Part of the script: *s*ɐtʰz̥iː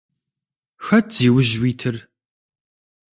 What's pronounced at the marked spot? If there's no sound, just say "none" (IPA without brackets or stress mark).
x